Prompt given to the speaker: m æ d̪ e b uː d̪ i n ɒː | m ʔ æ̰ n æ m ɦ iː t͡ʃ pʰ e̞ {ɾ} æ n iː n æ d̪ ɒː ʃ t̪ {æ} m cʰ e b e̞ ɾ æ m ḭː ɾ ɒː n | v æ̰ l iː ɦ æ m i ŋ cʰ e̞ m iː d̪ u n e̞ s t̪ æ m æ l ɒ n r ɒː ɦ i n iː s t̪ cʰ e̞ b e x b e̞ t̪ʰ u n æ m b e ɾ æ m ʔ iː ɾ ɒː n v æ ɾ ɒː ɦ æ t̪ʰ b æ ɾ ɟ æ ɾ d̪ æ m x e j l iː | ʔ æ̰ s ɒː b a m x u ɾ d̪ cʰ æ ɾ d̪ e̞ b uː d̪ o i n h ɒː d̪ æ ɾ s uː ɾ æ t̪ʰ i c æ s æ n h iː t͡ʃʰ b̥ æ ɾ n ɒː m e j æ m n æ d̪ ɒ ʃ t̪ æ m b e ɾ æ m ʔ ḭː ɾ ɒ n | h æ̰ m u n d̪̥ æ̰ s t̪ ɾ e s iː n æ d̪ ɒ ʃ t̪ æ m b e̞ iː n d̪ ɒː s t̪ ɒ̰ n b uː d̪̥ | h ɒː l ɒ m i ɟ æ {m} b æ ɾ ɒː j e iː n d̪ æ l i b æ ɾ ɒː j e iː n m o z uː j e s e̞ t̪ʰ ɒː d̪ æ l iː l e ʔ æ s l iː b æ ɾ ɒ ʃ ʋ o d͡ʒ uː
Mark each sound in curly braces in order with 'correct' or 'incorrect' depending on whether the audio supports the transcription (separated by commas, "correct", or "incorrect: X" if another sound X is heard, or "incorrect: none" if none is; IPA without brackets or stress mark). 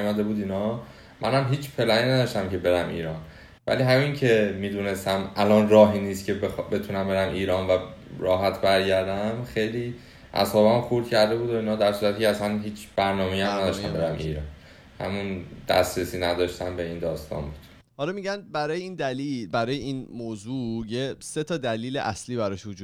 incorrect: l, correct, incorrect: n